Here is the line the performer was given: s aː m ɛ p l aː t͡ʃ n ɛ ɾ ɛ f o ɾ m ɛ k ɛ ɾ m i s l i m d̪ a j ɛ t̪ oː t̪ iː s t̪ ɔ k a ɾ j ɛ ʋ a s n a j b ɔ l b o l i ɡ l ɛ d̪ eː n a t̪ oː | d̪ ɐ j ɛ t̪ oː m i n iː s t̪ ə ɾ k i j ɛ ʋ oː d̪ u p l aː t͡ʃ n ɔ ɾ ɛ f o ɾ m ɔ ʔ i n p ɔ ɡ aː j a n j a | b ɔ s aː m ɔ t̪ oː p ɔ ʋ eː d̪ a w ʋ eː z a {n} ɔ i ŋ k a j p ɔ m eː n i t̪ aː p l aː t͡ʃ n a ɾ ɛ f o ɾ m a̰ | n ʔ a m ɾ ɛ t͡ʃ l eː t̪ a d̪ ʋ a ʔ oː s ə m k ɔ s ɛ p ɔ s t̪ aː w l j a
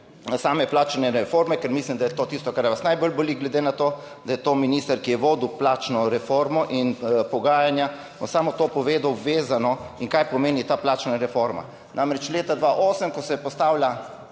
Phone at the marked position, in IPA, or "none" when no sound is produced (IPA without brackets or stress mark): n